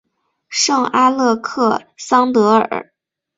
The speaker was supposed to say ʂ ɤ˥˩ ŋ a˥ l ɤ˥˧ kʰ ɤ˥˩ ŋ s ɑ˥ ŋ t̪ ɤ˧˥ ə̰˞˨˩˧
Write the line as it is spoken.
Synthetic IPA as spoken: ʂ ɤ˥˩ ŋ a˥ l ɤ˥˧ kʰ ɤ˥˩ s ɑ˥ ŋ t̪ ɤ˧˥ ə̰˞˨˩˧